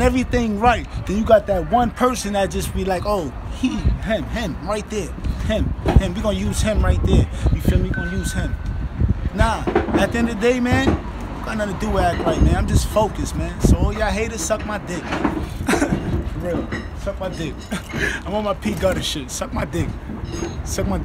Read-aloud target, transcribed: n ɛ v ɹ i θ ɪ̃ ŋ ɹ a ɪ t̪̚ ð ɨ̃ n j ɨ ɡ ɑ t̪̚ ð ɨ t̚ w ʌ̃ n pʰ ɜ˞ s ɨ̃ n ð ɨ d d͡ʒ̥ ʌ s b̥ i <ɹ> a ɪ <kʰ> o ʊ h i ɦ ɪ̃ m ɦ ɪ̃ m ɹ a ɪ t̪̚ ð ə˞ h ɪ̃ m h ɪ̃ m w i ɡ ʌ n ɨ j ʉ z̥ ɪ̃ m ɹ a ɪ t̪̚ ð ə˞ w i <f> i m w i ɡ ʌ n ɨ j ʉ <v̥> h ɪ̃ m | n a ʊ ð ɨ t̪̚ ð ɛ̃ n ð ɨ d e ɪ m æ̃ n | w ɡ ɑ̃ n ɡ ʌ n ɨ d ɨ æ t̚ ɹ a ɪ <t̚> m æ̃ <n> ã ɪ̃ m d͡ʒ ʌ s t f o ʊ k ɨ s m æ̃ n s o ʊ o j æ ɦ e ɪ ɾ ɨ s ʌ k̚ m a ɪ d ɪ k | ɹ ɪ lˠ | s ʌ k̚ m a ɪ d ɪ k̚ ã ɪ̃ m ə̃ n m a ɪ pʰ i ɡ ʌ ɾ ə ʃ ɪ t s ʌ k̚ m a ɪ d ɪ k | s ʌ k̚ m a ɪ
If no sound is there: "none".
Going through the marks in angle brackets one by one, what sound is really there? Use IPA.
l, k, f, z̥, t̚, n

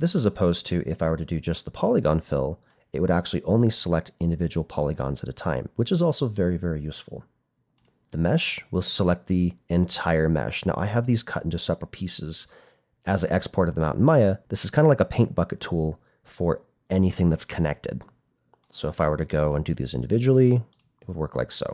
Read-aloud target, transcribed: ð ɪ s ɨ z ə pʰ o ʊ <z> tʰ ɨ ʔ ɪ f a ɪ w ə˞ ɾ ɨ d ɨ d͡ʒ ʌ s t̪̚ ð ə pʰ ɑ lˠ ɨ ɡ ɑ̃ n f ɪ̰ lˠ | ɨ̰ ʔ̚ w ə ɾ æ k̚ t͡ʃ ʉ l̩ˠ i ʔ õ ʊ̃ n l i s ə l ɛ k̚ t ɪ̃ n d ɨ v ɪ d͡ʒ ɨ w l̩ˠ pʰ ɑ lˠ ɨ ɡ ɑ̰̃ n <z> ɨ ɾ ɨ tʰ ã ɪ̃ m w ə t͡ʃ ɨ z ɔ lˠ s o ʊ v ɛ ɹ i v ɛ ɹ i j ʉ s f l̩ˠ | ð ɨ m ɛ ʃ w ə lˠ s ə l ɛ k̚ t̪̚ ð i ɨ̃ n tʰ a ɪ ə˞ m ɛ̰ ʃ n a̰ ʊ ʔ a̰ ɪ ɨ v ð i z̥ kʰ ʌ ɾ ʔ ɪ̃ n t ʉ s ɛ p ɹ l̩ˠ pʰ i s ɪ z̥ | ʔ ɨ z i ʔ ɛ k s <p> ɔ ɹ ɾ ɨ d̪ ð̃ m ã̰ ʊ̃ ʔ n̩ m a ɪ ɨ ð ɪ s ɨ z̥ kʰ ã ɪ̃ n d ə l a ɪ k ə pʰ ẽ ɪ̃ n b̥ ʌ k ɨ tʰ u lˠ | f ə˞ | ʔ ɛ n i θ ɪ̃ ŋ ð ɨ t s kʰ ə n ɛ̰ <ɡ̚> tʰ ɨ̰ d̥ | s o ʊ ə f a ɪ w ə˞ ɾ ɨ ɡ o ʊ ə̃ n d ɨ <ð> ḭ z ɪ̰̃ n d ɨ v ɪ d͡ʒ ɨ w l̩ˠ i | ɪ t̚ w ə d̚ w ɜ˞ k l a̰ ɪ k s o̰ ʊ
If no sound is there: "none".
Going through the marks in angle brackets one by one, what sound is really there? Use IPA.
z, z, pʰ, k̚, ð

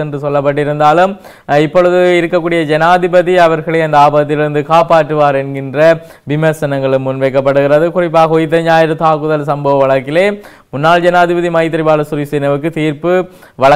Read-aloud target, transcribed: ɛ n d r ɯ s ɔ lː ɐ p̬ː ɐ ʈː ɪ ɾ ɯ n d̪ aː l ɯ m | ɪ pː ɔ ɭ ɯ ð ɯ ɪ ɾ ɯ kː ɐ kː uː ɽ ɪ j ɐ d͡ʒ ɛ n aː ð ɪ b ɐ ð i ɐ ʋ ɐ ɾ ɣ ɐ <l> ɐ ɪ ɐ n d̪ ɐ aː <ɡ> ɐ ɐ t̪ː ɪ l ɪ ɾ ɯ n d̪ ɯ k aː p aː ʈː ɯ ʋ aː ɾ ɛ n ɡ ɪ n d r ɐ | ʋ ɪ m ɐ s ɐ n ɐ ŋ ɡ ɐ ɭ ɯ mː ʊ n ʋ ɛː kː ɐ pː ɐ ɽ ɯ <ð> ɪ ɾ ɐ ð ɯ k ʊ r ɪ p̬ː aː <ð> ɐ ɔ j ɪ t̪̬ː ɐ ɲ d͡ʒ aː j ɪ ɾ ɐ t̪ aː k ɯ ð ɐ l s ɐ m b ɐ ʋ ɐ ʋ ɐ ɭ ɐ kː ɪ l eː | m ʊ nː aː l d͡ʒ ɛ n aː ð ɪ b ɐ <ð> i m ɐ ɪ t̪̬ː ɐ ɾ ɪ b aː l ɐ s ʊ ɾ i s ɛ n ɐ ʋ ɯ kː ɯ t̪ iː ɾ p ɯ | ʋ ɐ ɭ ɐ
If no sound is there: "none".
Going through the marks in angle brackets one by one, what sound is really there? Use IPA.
ɭ, b, ɣ, ɣ, ð

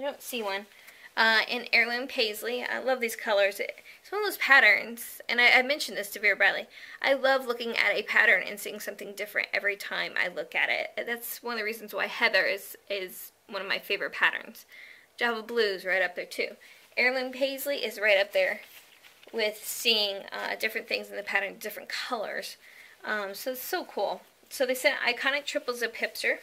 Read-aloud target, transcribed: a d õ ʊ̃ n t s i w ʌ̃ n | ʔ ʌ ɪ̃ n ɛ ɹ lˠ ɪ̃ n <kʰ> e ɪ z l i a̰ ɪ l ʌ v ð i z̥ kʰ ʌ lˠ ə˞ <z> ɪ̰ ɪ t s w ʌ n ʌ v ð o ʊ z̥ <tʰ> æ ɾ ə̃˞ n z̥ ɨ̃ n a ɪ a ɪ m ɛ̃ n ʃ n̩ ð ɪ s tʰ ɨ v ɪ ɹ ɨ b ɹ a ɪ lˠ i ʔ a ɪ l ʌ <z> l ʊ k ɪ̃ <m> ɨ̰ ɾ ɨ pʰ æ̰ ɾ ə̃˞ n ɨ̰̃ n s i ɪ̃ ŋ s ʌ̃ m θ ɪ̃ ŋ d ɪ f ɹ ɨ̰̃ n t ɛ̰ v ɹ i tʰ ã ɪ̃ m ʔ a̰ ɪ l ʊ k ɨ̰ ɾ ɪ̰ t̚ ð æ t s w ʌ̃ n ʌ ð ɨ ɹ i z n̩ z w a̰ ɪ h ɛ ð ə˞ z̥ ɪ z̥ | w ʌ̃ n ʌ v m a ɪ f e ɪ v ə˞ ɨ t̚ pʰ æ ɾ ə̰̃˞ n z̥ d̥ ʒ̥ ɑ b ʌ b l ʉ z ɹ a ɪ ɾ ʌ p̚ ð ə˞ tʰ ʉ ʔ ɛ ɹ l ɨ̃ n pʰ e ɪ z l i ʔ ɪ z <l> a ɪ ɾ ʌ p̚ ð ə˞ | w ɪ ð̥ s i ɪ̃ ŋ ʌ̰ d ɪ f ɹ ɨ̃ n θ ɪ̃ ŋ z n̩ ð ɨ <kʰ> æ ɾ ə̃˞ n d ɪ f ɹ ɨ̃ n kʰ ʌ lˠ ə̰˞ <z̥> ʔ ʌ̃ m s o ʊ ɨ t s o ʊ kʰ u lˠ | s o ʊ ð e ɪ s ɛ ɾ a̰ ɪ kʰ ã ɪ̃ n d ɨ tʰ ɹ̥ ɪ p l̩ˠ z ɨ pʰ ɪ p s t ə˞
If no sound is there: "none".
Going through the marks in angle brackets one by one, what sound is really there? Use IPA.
pʰ, z, pʰ, v, ŋ, ɹ, pʰ, z̥

